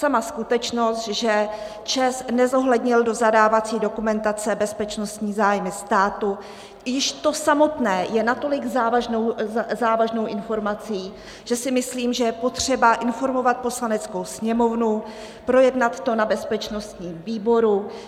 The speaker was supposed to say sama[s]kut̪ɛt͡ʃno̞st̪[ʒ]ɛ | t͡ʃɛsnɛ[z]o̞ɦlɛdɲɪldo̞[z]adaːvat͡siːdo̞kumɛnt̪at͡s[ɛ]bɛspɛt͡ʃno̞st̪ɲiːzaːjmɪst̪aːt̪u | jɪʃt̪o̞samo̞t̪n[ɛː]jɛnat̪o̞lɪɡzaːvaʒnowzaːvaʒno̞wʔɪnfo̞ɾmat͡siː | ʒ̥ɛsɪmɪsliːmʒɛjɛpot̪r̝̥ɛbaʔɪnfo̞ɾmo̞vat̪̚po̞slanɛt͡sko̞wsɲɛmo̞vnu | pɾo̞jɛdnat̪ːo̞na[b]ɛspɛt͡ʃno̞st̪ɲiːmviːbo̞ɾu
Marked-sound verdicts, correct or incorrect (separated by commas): correct, correct, correct, correct, correct, correct, correct